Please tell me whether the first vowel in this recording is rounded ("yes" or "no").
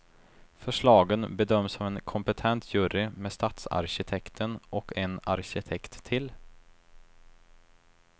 yes